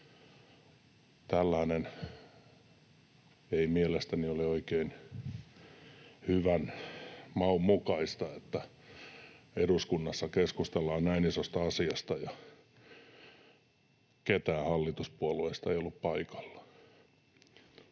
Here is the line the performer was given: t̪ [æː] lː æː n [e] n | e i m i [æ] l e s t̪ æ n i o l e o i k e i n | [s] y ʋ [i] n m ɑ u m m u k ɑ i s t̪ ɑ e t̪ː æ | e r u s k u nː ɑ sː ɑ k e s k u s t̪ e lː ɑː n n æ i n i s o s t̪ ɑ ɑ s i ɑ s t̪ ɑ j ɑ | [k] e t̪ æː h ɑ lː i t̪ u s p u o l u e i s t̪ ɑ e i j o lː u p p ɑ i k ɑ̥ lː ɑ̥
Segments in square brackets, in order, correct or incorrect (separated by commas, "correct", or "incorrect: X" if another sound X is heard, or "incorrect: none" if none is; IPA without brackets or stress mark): incorrect: æ, correct, incorrect: e, incorrect: h, incorrect: æ, correct